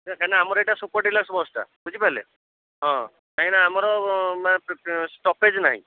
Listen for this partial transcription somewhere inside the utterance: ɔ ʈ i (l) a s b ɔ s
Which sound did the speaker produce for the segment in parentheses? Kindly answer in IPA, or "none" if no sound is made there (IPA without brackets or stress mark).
l